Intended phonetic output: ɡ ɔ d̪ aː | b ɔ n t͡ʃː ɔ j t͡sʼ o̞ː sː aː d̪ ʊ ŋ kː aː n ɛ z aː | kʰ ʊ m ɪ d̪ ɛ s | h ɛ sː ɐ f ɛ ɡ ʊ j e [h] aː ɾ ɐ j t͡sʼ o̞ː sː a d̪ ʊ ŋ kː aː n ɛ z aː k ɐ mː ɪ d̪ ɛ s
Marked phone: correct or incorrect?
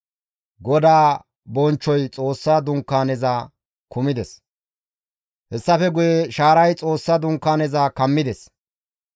incorrect